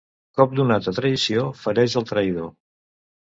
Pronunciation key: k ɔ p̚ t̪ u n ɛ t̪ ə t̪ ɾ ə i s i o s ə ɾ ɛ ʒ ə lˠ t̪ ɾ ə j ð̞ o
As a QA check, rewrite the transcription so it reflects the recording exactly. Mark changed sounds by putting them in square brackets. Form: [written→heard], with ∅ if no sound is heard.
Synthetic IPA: k ɔ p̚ [t̪→d̪] u n [ɛ→a] t̪ ə t̪ ɾ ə i s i o [s→f] ə ɾ ɛ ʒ ə lˠ t̪ ɾ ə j ð̞ o